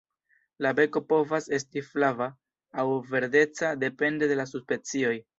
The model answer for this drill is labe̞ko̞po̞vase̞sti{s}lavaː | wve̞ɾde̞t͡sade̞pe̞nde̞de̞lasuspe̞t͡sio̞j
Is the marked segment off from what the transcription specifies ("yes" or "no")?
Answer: yes